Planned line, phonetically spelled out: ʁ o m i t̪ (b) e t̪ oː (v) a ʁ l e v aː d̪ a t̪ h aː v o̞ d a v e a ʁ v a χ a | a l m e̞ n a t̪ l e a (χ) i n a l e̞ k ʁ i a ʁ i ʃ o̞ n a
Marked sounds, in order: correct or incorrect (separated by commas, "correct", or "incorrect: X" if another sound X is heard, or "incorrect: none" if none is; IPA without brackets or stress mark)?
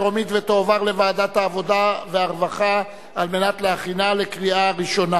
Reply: incorrect: v, correct, correct